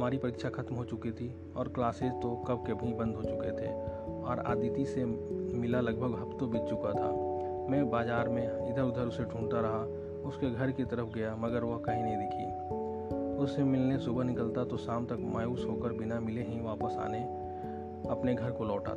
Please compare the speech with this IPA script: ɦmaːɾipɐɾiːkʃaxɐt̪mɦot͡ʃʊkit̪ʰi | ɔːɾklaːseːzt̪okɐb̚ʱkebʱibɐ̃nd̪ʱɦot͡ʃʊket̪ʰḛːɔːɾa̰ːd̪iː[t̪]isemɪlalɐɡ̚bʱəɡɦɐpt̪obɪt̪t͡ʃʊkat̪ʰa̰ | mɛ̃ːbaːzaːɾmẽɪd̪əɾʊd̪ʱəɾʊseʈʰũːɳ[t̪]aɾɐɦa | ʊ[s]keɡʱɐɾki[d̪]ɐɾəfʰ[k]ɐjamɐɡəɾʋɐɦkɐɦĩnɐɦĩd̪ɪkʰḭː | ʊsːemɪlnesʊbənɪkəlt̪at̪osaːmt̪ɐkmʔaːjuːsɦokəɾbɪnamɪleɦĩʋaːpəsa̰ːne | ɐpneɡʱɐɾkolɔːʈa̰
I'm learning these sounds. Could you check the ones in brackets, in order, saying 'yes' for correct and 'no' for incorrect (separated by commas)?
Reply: yes, yes, yes, no, no